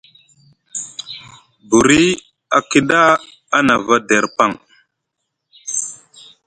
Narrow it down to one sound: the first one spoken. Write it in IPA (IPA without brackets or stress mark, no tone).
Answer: b